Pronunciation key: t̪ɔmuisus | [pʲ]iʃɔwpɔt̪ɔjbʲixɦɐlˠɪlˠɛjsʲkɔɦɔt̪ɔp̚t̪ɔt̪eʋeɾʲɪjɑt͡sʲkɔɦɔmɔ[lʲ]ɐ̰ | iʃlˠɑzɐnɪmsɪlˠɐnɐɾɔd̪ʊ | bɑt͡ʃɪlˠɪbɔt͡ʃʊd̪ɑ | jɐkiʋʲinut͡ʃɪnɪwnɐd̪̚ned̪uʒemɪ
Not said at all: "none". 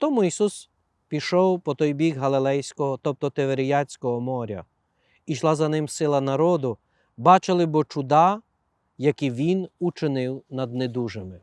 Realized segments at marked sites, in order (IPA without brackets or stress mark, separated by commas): pʲ, ɾʲ